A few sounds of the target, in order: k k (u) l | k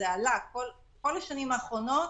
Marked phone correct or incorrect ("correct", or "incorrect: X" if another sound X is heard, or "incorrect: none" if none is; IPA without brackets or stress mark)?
incorrect: o